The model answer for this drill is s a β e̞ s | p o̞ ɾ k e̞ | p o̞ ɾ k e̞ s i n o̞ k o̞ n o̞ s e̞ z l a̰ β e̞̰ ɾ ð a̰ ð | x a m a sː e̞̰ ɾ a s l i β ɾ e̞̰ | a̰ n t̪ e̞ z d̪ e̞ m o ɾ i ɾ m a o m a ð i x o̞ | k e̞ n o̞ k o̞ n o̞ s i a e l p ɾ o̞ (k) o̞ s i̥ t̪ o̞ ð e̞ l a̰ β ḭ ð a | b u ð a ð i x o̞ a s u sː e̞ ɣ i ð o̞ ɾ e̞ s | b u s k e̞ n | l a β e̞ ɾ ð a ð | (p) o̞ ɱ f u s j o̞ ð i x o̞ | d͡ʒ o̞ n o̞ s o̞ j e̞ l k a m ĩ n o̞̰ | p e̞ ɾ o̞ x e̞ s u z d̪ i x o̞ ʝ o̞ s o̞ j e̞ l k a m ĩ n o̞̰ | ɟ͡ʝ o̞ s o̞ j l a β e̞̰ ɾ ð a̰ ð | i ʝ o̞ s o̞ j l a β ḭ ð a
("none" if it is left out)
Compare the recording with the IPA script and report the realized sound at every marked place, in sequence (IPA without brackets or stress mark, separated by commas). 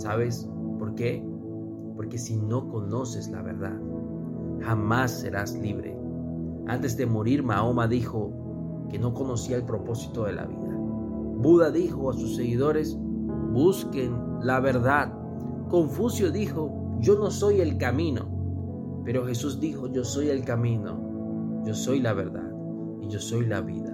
p, k